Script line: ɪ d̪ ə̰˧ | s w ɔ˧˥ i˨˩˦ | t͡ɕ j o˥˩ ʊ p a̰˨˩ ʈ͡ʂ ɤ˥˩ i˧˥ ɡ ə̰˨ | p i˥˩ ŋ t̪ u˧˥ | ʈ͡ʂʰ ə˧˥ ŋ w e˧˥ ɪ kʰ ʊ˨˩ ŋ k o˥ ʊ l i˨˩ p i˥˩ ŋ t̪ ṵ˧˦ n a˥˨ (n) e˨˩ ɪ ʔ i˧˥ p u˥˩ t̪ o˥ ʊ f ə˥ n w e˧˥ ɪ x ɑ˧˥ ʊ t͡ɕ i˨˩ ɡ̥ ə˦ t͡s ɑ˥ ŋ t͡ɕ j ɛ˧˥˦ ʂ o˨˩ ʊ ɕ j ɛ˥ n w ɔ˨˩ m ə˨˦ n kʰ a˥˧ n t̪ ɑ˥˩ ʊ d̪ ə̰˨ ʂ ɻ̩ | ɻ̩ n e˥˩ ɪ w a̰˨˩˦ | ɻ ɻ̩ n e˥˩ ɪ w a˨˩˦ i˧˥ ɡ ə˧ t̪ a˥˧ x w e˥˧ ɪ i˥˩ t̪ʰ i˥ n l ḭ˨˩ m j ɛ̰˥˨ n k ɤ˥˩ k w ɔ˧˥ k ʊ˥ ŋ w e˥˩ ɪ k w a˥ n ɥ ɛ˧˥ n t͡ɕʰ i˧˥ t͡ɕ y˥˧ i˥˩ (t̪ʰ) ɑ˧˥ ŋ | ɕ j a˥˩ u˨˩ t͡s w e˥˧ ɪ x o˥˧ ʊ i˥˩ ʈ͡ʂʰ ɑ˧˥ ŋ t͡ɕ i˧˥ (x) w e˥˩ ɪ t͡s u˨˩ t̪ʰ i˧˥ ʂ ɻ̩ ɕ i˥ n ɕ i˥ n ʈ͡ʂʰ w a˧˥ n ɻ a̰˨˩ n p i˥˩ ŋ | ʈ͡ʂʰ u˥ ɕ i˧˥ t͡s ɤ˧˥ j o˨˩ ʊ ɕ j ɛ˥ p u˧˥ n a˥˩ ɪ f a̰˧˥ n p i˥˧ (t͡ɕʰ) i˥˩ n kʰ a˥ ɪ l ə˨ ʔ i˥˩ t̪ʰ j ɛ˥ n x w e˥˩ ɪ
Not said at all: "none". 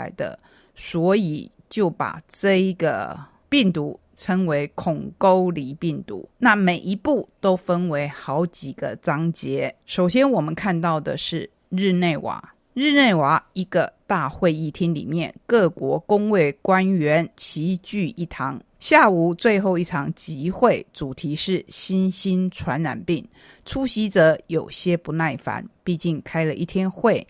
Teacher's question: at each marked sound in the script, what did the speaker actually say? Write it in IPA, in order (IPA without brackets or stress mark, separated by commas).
m, t̪ʰ, x, t͡ɕ